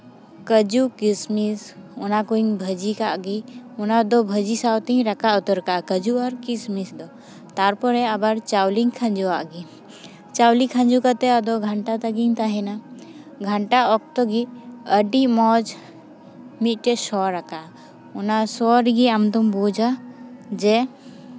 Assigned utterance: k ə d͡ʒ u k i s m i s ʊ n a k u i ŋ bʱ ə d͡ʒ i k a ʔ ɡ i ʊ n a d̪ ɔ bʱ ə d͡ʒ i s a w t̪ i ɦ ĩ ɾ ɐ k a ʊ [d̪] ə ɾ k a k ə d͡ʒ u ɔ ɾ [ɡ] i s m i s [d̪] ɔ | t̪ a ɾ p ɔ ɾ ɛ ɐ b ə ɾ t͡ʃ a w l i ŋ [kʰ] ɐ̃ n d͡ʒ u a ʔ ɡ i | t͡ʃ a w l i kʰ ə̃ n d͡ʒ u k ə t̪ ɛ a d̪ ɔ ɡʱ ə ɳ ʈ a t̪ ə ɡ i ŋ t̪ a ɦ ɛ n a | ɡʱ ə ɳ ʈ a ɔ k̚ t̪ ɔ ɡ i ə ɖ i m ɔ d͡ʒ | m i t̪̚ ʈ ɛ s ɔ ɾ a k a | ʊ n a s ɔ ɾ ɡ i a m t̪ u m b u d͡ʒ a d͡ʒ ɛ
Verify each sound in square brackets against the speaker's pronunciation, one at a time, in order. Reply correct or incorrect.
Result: incorrect, incorrect, correct, correct

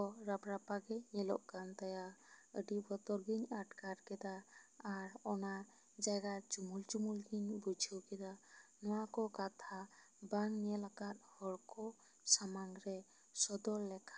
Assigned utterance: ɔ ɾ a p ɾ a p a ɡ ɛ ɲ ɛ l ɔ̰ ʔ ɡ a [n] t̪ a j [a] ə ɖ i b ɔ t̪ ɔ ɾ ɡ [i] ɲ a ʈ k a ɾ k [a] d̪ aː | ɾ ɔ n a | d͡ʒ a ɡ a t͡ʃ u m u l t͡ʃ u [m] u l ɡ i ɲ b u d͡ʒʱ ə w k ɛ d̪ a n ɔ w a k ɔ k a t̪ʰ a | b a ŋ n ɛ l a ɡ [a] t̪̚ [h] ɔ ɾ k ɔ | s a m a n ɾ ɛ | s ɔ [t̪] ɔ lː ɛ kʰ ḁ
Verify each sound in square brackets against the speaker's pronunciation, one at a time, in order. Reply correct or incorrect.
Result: correct, correct, correct, incorrect, correct, correct, correct, incorrect

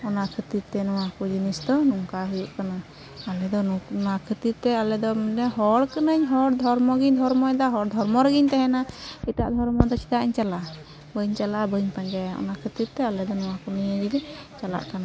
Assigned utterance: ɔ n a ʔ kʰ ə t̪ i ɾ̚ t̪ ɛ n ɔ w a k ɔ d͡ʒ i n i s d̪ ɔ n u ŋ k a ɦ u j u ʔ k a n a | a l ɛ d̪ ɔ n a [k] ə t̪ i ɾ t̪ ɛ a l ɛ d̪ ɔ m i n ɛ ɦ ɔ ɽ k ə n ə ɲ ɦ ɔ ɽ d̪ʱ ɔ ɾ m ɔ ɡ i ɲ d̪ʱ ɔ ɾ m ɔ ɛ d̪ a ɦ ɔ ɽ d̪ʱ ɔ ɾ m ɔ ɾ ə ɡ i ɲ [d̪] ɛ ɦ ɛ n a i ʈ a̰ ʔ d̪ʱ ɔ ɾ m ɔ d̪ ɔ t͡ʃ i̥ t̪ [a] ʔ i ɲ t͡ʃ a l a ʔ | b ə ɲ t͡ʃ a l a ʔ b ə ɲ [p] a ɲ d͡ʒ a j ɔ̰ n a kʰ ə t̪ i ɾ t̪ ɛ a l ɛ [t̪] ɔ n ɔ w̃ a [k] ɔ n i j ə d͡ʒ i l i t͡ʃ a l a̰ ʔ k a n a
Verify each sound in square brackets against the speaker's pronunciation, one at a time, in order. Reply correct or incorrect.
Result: incorrect, incorrect, correct, correct, incorrect, correct

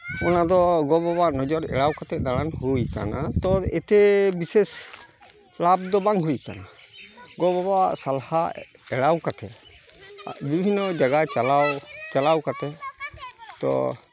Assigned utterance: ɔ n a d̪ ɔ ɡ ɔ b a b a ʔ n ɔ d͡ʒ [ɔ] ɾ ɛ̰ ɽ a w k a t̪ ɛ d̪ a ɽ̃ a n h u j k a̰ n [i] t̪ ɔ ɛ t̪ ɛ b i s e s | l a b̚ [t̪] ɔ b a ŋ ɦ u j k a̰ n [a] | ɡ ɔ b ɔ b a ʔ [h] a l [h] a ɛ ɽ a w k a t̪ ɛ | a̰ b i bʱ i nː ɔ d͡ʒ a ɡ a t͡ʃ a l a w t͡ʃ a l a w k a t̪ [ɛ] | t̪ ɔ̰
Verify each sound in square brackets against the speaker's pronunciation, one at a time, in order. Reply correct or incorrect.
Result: correct, incorrect, incorrect, correct, incorrect, correct, correct

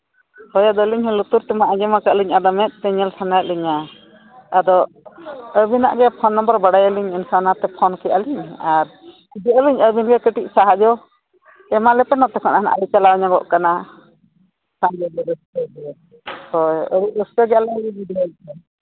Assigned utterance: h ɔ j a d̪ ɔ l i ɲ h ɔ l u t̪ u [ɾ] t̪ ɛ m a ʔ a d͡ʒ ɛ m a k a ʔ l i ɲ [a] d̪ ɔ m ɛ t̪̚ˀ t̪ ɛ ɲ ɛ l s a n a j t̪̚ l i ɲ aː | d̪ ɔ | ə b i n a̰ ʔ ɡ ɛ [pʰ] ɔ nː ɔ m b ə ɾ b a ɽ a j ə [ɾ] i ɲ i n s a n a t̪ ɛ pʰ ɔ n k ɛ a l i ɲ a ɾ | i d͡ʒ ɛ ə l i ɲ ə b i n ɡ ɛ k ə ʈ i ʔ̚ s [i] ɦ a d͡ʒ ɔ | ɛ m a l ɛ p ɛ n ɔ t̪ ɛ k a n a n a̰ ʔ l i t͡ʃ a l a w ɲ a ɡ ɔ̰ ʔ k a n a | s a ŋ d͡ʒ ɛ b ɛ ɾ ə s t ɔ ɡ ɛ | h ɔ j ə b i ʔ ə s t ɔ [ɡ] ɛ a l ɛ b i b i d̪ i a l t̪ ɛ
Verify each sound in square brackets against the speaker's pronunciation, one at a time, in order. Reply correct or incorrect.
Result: correct, correct, correct, incorrect, incorrect, correct

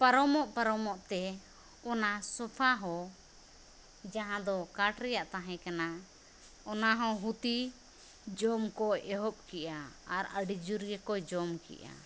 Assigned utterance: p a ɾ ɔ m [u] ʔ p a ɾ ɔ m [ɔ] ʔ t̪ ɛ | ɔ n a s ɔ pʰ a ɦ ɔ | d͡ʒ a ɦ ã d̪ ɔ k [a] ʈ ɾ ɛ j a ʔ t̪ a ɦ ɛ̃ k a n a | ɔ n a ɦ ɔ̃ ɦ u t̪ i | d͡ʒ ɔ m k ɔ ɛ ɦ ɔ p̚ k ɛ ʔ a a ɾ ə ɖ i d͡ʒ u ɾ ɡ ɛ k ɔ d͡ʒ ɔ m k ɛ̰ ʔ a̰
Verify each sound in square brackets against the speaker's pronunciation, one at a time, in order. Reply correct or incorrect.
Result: incorrect, correct, correct

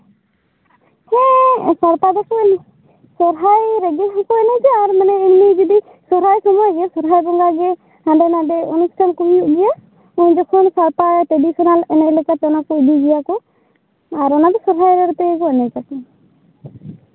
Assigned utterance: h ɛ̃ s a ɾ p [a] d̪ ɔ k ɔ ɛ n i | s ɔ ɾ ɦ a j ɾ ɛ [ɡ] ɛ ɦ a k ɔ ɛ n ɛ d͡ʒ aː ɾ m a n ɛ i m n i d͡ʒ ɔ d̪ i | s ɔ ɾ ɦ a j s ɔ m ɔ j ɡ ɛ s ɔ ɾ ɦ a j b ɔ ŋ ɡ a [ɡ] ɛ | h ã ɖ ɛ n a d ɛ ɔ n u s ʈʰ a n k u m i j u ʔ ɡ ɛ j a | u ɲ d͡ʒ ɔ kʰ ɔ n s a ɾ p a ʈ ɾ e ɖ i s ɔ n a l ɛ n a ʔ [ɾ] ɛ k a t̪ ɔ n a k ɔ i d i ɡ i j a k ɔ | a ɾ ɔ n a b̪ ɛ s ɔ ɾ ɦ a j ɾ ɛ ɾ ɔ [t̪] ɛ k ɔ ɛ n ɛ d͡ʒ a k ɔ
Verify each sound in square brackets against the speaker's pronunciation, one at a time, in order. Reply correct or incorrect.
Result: correct, correct, correct, incorrect, correct

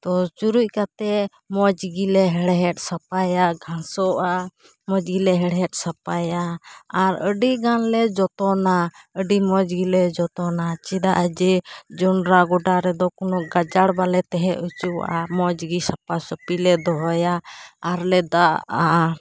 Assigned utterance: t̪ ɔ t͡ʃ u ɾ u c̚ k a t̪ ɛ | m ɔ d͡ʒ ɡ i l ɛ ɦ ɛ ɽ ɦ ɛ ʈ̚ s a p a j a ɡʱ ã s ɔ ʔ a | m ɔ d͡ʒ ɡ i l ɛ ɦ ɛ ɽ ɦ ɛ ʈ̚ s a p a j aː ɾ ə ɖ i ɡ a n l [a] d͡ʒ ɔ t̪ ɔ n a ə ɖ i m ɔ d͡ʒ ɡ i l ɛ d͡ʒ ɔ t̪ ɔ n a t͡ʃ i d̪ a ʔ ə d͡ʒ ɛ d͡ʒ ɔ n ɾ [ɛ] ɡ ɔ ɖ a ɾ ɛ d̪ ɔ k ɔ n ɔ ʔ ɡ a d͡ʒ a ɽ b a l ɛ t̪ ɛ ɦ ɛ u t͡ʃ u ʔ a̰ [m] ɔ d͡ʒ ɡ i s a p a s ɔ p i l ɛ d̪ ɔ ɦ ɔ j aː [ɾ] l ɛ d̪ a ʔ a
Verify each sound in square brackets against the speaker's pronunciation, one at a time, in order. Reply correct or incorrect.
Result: incorrect, incorrect, correct, correct

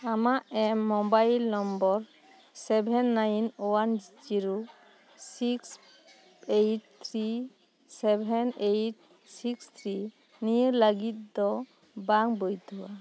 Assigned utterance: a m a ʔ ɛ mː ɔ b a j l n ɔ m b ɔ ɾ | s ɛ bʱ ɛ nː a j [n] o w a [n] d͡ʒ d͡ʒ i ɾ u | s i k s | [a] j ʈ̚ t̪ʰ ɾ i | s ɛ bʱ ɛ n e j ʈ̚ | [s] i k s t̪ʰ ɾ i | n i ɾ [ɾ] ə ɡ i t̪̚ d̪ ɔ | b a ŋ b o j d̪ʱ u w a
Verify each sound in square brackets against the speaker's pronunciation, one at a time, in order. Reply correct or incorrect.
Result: correct, correct, incorrect, correct, incorrect

